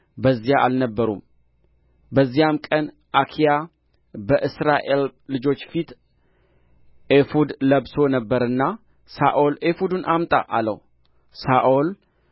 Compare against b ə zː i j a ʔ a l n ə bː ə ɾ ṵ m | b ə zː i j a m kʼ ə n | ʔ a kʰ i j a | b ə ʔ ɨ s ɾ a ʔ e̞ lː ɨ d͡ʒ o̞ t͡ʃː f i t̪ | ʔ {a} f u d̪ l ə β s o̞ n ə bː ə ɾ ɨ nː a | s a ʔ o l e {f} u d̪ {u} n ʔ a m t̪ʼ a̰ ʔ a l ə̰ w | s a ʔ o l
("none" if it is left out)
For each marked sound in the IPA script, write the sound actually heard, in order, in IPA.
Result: e, f, u

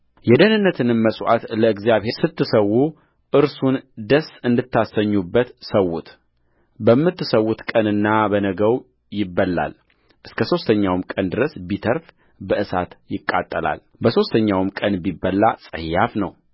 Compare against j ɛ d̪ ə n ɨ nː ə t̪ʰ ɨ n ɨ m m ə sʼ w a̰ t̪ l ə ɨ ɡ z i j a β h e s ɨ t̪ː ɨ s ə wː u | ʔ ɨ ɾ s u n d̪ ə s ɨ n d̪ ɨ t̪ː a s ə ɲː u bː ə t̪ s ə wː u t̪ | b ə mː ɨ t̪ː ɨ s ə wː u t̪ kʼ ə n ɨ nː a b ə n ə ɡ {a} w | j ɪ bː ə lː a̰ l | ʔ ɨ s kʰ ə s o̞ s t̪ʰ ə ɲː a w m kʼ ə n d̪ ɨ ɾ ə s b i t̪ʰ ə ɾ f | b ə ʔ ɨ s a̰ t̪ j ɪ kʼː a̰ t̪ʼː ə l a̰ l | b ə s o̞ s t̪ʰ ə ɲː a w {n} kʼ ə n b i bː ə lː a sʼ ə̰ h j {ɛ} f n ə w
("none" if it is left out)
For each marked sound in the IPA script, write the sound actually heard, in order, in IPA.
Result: ə, m, a

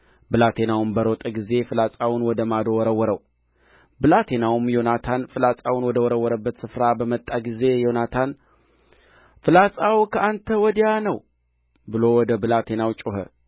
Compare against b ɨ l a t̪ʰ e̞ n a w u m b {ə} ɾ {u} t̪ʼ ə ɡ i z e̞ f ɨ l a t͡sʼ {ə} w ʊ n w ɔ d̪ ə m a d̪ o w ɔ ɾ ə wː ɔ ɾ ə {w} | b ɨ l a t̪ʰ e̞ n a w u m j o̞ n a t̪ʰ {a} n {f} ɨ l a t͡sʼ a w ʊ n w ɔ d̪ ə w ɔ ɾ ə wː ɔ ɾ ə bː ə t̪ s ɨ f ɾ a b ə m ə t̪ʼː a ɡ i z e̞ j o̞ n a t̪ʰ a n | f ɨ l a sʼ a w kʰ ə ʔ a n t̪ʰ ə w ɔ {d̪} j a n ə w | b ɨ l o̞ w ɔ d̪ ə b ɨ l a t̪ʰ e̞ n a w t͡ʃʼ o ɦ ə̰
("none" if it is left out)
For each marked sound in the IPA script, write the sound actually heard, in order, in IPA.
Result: ə, o, a, w, a, f, d̪

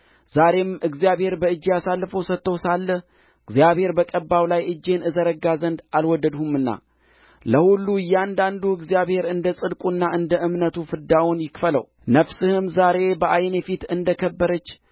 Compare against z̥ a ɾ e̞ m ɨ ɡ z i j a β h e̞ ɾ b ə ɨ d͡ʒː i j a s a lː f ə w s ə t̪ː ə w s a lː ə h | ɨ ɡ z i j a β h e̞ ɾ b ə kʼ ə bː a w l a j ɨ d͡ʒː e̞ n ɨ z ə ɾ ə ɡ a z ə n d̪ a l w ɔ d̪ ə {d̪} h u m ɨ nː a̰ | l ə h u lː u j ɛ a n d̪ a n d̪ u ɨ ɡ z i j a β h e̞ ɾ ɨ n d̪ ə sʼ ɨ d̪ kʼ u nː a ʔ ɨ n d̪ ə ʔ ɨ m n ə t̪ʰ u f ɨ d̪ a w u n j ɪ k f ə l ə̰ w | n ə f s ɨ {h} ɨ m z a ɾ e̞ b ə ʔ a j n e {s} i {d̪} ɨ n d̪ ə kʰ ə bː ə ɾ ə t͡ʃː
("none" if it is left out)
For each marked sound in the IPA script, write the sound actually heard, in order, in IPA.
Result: d̪, h, f, t̪

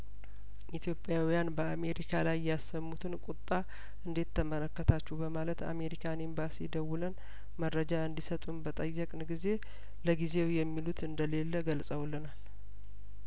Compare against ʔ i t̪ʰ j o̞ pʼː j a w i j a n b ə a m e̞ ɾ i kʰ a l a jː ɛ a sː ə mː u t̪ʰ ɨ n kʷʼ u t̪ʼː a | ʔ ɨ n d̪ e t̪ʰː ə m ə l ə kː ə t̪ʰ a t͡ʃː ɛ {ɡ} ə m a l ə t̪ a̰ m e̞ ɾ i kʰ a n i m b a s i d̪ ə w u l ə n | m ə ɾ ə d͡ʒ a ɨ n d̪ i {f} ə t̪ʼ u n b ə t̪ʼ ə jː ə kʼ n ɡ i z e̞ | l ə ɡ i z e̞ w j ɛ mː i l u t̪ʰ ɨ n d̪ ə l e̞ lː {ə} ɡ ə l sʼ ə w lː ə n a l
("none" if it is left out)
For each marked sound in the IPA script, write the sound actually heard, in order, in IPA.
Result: b, s, ə

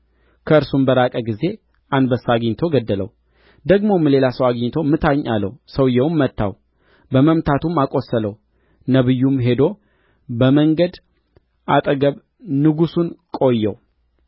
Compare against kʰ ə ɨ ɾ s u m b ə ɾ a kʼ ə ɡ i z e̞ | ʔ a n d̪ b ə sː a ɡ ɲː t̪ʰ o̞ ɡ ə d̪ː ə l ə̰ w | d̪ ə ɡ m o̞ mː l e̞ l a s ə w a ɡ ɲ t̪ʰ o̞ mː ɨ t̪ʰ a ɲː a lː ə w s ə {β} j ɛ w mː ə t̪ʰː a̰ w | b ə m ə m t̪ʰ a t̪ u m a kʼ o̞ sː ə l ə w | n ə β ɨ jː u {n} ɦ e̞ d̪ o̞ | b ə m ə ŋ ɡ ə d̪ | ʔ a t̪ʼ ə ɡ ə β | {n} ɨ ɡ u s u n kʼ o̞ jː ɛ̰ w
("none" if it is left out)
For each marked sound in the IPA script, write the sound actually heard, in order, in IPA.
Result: w, m, n

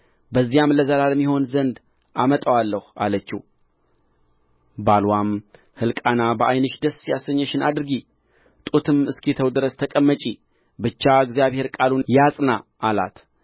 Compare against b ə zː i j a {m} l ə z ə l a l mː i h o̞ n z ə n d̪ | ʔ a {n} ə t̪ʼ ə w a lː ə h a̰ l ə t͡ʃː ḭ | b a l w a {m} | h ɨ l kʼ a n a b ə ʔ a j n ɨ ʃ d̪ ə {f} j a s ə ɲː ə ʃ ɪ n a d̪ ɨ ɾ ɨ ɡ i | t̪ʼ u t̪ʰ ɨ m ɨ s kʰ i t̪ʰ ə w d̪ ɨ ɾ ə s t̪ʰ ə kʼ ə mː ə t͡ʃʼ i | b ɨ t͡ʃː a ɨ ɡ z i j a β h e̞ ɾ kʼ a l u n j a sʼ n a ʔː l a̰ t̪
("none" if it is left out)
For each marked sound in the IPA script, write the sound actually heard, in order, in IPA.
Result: m, m, m, s

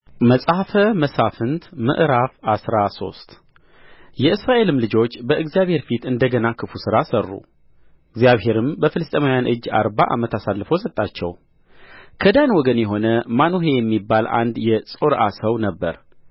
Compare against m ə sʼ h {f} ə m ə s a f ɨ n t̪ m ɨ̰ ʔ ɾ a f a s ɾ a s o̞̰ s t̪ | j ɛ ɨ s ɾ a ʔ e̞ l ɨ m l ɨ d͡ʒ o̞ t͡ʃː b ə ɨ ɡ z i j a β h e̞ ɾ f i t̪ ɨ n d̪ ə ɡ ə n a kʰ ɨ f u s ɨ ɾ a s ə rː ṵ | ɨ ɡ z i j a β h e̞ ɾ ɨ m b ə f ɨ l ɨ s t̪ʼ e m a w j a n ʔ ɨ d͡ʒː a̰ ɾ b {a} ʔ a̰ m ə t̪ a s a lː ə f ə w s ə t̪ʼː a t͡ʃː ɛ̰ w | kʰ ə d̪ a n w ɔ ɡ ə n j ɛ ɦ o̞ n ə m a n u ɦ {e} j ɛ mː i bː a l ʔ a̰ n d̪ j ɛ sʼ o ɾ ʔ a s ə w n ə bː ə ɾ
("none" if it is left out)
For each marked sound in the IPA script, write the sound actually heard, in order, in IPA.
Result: f, a, e

